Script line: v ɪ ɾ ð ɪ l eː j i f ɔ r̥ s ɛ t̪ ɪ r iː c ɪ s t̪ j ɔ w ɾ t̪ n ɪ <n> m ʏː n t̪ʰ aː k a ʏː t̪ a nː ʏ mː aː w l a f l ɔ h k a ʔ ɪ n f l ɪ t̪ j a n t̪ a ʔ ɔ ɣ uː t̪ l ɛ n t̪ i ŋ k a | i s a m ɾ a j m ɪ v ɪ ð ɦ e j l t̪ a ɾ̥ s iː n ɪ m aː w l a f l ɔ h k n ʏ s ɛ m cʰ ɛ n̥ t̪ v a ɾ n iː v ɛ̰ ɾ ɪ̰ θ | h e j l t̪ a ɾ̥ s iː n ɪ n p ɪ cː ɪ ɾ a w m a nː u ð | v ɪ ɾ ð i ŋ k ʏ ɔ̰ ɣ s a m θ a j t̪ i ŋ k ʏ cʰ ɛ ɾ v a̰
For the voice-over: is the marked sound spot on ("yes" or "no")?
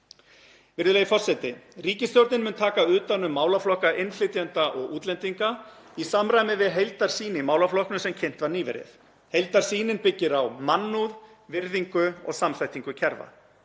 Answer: yes